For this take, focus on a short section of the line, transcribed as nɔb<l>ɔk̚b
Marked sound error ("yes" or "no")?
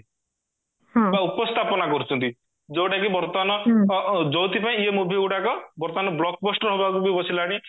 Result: no